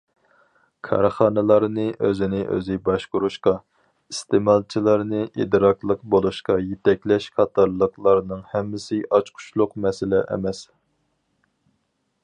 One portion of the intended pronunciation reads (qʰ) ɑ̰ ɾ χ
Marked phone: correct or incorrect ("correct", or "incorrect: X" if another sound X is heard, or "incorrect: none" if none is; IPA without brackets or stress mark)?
incorrect: kʰ